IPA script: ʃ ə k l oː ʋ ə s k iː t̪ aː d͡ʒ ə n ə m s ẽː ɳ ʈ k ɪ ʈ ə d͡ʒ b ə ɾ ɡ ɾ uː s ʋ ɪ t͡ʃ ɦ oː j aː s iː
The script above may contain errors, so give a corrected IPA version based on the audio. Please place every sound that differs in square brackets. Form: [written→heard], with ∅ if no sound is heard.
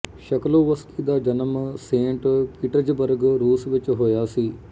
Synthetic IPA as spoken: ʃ ə k l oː ʋ ə s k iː [t̪→d̪] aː d͡ʒ ə n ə m s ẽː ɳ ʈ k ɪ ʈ ə d͡ʒ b ə ɾ ɡ ɾ uː s ʋ ɪ t͡ʃ ɦ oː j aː s iː